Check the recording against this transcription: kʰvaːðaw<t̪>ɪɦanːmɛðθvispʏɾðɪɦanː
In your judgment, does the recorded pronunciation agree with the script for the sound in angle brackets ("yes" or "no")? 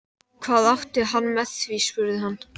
yes